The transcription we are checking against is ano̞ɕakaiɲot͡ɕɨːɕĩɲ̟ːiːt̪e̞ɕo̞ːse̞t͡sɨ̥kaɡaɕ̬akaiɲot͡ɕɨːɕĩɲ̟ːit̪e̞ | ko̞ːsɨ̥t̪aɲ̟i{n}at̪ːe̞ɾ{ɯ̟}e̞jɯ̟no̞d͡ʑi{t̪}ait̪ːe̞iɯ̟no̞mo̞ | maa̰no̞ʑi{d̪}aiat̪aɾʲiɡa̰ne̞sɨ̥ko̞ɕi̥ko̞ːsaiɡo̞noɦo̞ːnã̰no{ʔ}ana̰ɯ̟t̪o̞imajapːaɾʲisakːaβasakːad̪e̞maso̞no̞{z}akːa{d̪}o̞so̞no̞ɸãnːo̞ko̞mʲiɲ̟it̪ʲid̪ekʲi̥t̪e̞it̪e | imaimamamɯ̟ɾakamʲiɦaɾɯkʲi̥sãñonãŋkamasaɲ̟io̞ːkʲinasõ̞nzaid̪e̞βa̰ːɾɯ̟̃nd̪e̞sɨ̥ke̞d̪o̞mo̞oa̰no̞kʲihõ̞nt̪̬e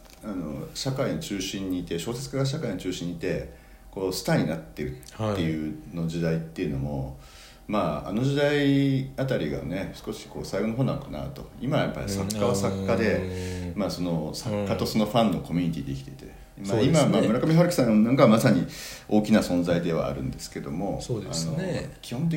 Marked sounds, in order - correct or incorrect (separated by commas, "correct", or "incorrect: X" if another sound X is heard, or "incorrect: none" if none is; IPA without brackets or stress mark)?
correct, incorrect: ɯ̟ː, incorrect: d̪, correct, incorrect: k, incorrect: s, incorrect: t̪